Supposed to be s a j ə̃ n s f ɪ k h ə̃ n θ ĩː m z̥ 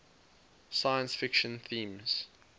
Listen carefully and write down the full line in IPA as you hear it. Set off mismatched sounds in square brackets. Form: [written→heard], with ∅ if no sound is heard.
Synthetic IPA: s a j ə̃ n s f ɪ k [h→ʃ] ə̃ n θ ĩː m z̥